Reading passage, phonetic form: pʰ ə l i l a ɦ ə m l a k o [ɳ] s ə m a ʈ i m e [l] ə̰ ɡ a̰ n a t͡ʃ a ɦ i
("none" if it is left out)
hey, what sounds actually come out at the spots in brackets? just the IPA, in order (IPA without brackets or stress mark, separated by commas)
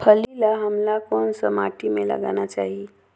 n, l